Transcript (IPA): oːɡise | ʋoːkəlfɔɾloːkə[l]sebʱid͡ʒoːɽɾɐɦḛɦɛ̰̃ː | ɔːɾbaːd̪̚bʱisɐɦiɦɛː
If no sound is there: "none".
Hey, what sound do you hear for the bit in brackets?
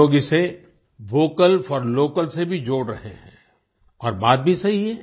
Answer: l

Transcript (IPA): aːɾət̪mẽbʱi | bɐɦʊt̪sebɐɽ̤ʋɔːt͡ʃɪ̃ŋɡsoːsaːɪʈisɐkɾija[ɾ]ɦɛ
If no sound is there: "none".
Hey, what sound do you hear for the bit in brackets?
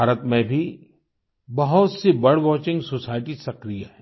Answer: none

